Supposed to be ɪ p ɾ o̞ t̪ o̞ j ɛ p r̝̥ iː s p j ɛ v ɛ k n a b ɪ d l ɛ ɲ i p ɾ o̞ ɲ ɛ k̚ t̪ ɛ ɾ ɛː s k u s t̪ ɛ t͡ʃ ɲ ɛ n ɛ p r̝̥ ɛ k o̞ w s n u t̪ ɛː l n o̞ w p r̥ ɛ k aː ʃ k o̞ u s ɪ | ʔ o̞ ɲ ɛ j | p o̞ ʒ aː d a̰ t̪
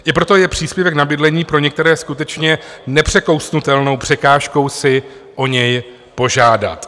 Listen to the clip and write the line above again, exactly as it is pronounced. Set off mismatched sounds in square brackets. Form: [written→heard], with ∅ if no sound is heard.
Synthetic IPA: ɪ p ɾ o̞ t̪ o̞ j ɛ p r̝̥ iː s p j ɛ v ɛ k n a b ɪ d l ɛ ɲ [i→iː] p ɾ o̞ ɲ ɛ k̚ t̪ ɛ ɾ ɛː s k u [s→∅] t̪ ɛ t͡ʃ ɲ ɛ n ɛ p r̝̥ ɛ k o̞ w s n u t̪ [ɛː→ɛ] l n o̞ w p r̥ ɛ k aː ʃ k o̞ [u→w] s ɪ | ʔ o̞ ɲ ɛ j | p o̞ ʒ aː d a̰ t̪